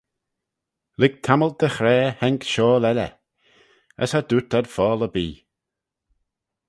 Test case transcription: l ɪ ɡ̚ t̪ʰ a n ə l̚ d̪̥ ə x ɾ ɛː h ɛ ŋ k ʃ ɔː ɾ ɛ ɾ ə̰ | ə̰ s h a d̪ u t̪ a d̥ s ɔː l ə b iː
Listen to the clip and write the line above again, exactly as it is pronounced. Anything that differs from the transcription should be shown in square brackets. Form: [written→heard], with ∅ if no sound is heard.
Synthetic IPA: l ɪ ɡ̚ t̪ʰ a [n→m] ə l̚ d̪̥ ə x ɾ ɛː h ɛ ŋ k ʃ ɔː [ɾ→l] ɛ [ɾ→l] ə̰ | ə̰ s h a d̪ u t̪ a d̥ [s→f] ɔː l ə b iː